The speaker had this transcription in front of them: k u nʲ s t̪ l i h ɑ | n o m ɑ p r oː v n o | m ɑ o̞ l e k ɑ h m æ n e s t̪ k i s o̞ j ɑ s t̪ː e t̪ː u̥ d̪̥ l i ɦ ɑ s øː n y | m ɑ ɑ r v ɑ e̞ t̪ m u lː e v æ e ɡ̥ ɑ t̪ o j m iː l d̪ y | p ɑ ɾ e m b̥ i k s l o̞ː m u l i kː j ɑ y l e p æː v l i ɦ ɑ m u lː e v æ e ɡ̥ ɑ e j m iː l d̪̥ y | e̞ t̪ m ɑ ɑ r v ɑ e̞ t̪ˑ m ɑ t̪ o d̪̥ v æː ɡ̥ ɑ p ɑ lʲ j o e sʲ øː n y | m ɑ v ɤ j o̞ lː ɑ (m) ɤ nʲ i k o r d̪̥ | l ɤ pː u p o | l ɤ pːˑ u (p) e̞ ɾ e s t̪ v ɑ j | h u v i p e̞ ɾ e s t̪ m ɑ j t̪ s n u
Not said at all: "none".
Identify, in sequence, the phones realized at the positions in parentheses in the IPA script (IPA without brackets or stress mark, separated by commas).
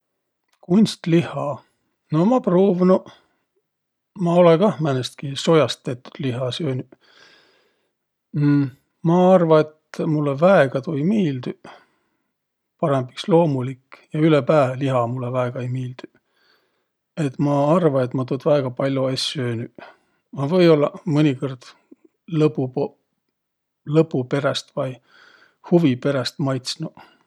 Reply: m, p